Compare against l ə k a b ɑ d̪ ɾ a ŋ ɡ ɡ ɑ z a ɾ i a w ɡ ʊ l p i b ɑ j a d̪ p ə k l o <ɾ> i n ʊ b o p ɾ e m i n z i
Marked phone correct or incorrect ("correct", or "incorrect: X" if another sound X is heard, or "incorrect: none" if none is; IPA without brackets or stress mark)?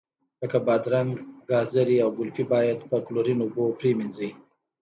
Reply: correct